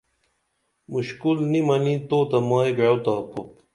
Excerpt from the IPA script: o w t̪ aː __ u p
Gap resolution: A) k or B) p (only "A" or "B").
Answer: B